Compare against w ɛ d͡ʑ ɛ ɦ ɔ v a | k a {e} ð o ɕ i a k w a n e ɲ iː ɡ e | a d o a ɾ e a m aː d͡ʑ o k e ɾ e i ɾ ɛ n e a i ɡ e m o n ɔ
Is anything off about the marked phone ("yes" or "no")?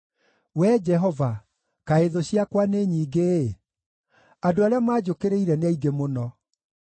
no